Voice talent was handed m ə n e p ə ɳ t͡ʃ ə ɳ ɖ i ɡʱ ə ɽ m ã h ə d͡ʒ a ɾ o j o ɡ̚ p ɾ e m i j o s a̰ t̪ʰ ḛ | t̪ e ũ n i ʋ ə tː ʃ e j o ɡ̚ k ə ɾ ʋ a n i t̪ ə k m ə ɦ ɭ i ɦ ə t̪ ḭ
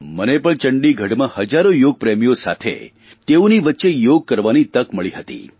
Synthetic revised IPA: m ə n e p ə ɳ t͡ʃ ə ɳ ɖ i ɡʱ ə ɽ m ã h ə d͡ʒ a ɾ o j o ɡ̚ p ɾ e m i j o s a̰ t̪ʰ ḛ | t̪ e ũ n i ʋ ə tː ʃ e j o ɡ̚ k ə ɾ ʋ a n i t̪ ə k m ə ɭ i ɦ ə t̪ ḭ